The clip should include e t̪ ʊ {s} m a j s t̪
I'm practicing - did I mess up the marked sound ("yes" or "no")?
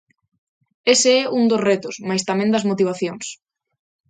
no